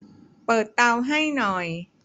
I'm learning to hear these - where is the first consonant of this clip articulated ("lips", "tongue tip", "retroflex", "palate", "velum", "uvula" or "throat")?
lips